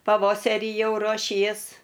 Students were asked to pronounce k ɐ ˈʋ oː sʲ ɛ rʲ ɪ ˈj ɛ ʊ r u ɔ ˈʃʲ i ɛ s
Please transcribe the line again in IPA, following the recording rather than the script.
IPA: p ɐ ˈʋ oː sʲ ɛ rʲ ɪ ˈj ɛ ʊ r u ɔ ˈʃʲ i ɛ s

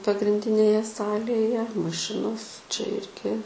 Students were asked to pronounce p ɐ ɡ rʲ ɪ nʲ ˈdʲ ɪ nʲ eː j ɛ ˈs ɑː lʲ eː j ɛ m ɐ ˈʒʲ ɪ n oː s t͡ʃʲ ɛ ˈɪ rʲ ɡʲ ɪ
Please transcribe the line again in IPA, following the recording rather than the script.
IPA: p ɐ ɡ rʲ ɪ nʲ ˈdʲ ɪ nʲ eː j ɛ ˈs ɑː lʲ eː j ɛ m ɐ ˈʃʲ ɪ n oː s t͡ʃʲ ɛ ˈɪ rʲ ɡʲ ɪ

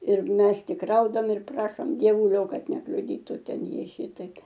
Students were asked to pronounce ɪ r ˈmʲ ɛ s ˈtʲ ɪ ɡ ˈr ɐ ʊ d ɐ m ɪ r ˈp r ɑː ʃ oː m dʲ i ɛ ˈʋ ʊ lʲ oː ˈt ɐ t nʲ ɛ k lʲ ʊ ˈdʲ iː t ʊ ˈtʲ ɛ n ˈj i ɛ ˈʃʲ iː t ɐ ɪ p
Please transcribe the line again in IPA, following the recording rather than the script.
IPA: ɪ r ˈmʲ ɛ s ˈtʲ ɪ k ˈr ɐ ʊ d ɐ m ɪ r ˈp r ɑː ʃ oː m dʲ i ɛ ˈʋ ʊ lʲ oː ˈk ɐ t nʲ ɛ k lʲ ʊ ˈdʲ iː t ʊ ˈtʲ ɛ n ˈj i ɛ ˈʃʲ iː t ɐ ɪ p

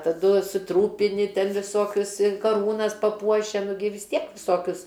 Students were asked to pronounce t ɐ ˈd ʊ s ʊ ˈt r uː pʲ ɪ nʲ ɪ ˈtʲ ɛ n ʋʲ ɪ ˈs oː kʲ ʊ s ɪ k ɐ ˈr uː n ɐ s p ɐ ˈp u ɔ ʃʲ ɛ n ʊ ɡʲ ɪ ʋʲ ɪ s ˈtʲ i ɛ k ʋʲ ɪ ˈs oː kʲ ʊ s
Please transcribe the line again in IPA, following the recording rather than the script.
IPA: t ɐ ˈd ʊ s ʊ ˈt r uː pʲ ɪ nʲ ɪ ˈtʲ ɛ n ʋʲ ɪ ˈs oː kʲ ʊ s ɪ k ɐ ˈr uː n ɐ s p ɐ ˈp u ɔ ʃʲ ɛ n ʊ ɡʲ ɪ ʋʲ ɪ s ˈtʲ i ɛ k ʋʲ ɪ ˈs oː kʲ ʊ s

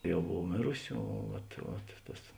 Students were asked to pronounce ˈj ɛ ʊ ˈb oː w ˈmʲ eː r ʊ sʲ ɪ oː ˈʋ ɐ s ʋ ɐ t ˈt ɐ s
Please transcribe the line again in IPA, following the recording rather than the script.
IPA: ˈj ɛ ʊ ˈb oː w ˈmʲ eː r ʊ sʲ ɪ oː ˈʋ ɐ t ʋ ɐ t ˈt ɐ s

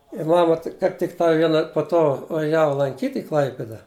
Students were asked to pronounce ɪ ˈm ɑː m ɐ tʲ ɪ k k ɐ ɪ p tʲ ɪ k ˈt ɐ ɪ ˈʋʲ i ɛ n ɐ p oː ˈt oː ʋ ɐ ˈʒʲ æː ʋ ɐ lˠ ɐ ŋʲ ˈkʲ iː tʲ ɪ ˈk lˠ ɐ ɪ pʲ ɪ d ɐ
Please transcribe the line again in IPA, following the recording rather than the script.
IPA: ɪ ˈm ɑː m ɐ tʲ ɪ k k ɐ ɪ p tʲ ɪ k ˈt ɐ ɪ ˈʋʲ i ɛ n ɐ p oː ˈt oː ʋ ɐ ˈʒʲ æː ʋ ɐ lˠ ɐ ŋʲ ˈkʲ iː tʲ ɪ ˈk lˠ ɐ ɪ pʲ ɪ d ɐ

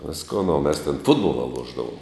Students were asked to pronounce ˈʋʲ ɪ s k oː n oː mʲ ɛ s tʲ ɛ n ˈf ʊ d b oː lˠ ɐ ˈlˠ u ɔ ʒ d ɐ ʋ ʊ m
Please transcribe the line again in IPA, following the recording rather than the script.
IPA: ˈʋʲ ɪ s k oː n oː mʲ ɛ s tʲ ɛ n ˈf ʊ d b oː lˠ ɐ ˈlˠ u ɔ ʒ d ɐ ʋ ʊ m

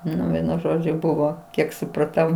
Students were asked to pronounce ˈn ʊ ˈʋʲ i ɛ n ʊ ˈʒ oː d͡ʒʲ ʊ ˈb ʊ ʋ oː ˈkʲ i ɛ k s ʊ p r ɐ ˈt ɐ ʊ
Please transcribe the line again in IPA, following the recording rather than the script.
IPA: ˈn ʊ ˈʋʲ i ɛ n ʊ ˈʒ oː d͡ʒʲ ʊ ˈb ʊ ʋ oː ˈkʲ i ɛ k s ʊ p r ɐ ˈt ɐ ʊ

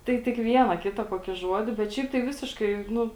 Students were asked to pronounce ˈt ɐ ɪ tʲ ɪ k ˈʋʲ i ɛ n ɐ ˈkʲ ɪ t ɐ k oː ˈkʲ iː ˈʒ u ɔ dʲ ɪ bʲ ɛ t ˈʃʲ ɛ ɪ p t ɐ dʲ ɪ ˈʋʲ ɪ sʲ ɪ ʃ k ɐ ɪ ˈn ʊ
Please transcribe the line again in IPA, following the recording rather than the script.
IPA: ˈt ɐ ɪ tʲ ɪ k ˈʋʲ i ɛ n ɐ ˈkʲ ɪ t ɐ k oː ˈkʲ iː ˈʒ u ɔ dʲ ɪ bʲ ɛ t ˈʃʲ ɛ ɪ p t ɐ ɪ ˈʋʲ ɪ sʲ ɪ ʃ k ɐ ɪ ˈn ʊ

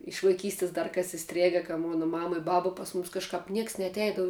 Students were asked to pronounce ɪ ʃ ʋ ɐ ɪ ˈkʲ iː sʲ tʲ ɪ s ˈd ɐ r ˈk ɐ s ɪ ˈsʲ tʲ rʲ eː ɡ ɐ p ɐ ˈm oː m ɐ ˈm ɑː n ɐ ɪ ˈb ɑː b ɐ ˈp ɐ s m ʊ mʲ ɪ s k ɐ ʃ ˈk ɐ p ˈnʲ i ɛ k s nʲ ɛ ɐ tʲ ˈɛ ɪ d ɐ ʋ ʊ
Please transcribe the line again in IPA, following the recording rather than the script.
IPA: ɪ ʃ ʋ ɐ ɪ ˈkʲ iː sʲ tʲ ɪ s ˈd ɐ r ˈk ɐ s ɪ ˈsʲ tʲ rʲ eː ɡ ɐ k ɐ ˈm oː n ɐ ˈm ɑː m ɐ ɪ ˈb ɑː b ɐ ˈp ɐ s m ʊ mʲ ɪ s k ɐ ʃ ˈk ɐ p ˈnʲ i ɛ k s nʲ ɛ ɐ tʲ ˈɛ ɪ d ɐ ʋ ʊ

